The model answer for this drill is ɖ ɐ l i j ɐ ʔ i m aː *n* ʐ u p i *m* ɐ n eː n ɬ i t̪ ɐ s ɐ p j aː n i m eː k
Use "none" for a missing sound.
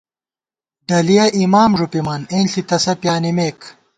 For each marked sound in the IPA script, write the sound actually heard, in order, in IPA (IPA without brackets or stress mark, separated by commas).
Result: m, m